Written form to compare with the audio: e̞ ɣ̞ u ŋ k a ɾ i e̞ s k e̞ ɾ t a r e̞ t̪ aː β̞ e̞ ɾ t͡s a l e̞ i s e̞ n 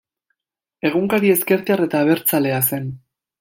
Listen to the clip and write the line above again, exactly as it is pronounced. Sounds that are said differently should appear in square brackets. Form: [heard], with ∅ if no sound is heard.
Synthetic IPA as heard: e̞ ɣ̞ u ŋ k a ɾ i e̞ s k e̞ ɾ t a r e̞ t̪ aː β̞ e̞ ɾ t͡s a l e̞ [a] s e̞ n